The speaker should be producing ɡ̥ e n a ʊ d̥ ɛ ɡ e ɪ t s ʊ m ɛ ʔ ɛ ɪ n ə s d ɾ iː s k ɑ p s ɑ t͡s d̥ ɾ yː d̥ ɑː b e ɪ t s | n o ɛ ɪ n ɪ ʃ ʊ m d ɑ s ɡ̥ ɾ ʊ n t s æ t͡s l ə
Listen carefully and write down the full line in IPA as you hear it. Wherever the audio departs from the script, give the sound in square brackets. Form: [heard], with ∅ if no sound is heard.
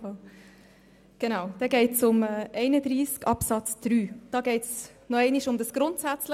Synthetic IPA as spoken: ɡ̥ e n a ʊ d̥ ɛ ɡ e ɪ t s ʊ m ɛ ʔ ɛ ɪ n ə [∅] d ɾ iː s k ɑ p s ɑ t͡s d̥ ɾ yː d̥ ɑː [ɡ] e ɪ t s | n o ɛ ɪ n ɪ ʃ ʊ m d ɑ s ɡ̥ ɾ ʊ n t s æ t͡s l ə

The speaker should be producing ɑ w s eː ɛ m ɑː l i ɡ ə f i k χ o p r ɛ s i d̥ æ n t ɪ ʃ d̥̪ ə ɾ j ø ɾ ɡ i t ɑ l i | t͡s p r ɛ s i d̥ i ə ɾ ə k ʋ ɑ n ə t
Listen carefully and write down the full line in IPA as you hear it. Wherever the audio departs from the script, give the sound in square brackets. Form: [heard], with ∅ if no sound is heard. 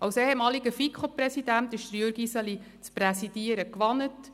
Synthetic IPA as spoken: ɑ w s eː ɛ m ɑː l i ɡ ə f i k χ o p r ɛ s i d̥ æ n t ɪ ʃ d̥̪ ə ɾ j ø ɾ ɡ i [s] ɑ l i | t͡s p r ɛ s i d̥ i ə ɾ ə k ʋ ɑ n ə t

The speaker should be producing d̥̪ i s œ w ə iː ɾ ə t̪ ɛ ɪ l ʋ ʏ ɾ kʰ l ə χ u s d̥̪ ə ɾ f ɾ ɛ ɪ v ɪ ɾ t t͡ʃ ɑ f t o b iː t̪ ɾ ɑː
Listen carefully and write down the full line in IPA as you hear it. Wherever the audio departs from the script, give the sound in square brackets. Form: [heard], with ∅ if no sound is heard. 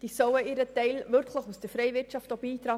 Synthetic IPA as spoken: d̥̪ i s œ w ə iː ɾ ə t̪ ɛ ɪ l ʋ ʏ ɾ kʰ l ə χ u s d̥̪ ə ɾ f ɾ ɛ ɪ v ɪ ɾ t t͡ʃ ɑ f t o b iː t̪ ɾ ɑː

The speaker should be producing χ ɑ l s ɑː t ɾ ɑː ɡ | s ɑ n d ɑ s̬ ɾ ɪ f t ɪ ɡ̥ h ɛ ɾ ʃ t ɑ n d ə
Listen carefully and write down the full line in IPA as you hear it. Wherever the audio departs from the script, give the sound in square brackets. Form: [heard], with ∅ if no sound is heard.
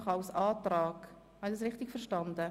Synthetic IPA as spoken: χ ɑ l s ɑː t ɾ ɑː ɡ | [h] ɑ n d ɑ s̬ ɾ ɪ [χ] t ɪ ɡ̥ [f] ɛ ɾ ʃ t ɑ n d ə

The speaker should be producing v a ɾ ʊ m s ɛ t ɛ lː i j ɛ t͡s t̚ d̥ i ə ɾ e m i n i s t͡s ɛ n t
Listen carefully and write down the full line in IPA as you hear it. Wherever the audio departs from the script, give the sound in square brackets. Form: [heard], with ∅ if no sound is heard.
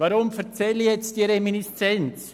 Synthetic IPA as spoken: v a ɾ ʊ m [f] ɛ [t͡s] ɛ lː i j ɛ t͡s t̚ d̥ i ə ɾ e m i n i s t͡s ɛ n [t͡s]

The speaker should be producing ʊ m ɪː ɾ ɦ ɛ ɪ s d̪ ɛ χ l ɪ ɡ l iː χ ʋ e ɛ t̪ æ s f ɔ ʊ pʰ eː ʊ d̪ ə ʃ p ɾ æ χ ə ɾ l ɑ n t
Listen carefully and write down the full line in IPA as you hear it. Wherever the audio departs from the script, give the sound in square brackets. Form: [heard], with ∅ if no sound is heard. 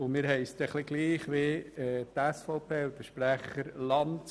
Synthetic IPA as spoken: ʊ m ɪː ɾ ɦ ɛ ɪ s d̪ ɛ χ l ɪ ɡ l iː χ ʋ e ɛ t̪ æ s f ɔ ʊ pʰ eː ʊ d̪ ə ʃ p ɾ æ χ ə ɾ l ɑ n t

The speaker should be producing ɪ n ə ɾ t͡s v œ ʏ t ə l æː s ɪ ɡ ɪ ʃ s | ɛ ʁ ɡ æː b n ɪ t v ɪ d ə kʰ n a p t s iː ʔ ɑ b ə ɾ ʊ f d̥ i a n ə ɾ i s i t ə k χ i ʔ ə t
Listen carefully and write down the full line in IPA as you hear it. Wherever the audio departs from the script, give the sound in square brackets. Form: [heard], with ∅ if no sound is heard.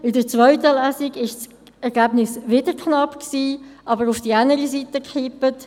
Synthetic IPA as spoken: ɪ [d] ə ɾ t͡s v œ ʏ t ə l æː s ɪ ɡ ɪ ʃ s | ɛ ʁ ɡ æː b n ɪ [s] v ɪ d ə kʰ n [ɑ] p [k] s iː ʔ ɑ b ə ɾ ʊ f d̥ i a n ə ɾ i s i t ə k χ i [p] ə t

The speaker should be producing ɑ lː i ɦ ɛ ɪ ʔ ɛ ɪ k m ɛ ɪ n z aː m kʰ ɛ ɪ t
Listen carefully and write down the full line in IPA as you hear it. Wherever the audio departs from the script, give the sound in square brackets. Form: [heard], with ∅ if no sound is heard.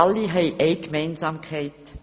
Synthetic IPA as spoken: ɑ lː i ɦ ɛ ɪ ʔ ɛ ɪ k m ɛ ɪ n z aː m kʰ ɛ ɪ t

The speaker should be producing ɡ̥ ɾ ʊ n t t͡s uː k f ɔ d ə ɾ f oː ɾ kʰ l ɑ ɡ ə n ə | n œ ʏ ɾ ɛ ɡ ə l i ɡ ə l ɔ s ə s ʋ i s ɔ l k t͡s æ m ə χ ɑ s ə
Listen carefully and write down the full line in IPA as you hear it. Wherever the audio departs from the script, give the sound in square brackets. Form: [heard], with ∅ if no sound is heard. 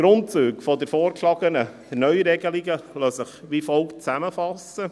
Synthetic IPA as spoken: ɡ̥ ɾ ʊ n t t͡s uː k f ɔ d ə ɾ f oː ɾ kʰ l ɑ ɡ ə n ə | n œ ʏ ɾ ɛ ɡ ə l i ɡ ə l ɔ s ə [χ] ʋ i [f] ɔ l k t͡s æ m ə [f] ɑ s ə

